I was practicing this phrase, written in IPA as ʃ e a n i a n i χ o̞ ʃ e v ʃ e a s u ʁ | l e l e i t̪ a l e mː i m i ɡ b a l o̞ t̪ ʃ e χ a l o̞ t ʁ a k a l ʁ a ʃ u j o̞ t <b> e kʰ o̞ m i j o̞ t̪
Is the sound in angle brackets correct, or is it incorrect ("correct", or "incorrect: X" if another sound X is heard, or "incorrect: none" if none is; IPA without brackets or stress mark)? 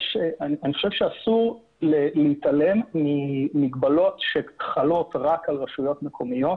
incorrect: m